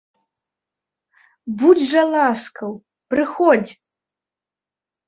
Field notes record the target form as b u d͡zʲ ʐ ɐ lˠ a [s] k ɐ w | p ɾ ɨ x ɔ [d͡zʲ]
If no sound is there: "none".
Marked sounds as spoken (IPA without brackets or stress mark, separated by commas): s, d͡zʲ